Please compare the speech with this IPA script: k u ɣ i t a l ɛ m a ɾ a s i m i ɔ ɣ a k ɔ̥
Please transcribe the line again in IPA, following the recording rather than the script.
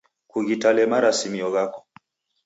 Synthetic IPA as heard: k u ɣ i t a l ɛ m a ɾ a s i m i ɔ ɣ a k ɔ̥